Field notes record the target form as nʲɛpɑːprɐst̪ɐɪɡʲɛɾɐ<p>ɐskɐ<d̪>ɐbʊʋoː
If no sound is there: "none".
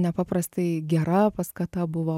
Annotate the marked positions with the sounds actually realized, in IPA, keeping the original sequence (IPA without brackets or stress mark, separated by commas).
p, t̪